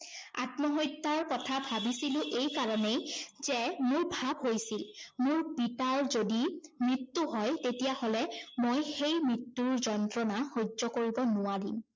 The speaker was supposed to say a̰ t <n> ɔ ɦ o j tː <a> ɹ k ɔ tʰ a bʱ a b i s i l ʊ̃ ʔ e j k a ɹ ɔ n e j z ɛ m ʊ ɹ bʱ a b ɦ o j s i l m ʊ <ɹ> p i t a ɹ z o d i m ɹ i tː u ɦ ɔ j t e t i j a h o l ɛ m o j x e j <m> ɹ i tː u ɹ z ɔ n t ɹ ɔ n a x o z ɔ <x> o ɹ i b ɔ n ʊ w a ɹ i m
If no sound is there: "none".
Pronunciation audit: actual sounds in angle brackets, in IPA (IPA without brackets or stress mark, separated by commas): m, a, ɹ, m, k